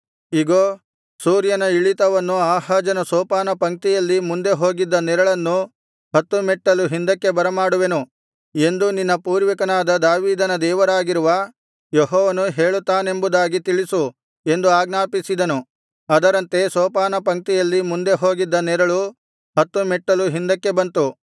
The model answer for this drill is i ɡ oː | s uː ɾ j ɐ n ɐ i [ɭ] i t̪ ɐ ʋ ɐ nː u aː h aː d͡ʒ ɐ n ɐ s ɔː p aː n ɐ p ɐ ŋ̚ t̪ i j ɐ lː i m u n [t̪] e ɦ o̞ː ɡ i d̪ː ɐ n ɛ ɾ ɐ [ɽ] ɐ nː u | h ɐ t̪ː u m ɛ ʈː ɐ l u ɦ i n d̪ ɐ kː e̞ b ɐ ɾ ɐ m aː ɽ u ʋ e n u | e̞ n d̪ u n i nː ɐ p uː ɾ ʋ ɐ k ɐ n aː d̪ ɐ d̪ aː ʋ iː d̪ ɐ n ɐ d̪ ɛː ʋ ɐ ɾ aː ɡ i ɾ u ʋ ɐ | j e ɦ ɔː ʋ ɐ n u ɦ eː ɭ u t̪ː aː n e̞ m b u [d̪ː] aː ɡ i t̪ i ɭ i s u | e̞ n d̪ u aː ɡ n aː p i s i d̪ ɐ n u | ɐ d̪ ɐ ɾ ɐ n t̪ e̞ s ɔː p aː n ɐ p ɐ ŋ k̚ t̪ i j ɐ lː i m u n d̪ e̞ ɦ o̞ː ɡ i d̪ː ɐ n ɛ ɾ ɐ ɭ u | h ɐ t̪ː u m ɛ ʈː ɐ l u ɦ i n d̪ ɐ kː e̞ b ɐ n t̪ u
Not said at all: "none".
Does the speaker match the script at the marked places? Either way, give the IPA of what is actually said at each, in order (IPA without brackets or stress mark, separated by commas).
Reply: ɭ, d̪, ɭ, d̪